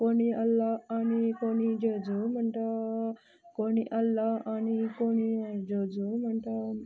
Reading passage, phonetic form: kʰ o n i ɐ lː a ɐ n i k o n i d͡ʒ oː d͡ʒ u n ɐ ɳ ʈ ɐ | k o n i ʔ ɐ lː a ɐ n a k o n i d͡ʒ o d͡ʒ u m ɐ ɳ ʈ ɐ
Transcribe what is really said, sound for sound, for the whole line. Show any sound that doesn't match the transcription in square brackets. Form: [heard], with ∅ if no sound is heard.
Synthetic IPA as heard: [k] o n i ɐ lː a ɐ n i k o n i d͡ʒ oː d͡ʒ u [m] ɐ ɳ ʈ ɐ | k o n i ʔ ɐ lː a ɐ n [i] k o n i d͡ʒ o d͡ʒ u m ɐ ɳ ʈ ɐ